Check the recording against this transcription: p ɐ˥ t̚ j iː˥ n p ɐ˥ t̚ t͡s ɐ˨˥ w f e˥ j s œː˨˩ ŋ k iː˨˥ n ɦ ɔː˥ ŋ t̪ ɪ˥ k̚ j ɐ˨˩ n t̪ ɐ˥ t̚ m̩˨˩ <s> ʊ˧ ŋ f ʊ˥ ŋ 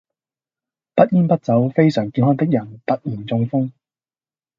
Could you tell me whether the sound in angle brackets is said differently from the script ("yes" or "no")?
yes